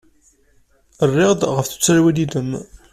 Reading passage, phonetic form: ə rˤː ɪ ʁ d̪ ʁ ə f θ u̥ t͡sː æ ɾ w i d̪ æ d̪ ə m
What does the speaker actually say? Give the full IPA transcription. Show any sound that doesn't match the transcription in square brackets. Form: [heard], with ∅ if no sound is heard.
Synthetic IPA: ə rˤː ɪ ʁ d̪ ʁ ə f θ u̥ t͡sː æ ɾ w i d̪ [i] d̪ ə m